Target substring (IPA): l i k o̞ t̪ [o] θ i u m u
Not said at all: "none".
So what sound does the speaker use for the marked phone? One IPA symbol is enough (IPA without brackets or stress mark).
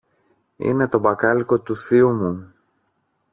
u